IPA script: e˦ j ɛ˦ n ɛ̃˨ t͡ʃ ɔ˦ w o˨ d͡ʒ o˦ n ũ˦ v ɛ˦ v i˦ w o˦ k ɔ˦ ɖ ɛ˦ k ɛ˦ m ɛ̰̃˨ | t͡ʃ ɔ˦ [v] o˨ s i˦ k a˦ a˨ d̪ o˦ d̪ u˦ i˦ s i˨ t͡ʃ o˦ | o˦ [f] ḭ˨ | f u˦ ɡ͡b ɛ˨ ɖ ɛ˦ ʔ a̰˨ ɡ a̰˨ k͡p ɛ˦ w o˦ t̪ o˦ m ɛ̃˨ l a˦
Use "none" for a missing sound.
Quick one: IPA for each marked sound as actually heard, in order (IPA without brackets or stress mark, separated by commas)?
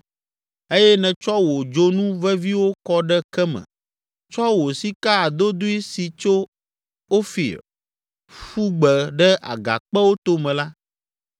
w, f